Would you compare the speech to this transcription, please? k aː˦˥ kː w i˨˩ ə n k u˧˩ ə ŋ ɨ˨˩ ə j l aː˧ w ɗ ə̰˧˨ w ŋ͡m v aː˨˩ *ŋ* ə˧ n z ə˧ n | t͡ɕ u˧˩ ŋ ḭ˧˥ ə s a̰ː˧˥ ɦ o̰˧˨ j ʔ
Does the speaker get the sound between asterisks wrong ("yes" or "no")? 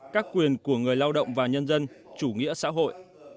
yes